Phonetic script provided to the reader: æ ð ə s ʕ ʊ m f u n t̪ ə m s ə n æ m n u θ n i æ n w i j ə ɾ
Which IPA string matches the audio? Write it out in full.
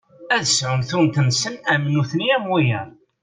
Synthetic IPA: æ ð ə s ʕ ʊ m θ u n t̪ ə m s ə n æ m n u θ n i æ m w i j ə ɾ